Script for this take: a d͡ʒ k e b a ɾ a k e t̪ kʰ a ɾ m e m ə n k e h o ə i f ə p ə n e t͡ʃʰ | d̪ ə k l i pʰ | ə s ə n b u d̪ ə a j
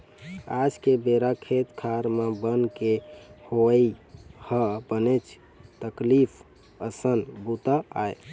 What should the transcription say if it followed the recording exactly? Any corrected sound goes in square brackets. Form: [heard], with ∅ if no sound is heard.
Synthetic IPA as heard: a d͡ʒ k e b [e] ɾ a [kʰ] e t̪ kʰ a ɾ m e [b] ə n k e h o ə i [h] ə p ə n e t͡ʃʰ | [t̪] ə k l i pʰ | ə s ə n b u [t̪] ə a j